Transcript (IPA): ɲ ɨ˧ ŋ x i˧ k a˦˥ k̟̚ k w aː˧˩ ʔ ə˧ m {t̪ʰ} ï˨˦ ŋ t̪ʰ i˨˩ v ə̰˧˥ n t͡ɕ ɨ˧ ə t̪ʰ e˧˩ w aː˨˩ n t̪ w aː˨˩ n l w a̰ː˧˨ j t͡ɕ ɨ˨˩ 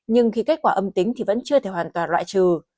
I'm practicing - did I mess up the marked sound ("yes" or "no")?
yes